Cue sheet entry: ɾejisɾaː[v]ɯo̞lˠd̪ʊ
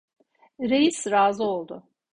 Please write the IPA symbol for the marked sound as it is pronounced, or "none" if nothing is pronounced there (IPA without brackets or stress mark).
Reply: z